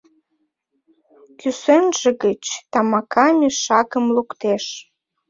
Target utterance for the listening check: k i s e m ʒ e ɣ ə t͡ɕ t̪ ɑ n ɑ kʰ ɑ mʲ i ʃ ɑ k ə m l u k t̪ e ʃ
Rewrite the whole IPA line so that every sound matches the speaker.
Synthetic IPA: k y s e n ʒ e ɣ ə t͡ɕ t̪ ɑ m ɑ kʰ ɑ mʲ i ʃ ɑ k ə m l u k t̪ e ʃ